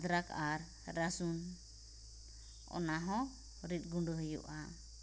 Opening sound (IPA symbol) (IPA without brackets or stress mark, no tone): d̪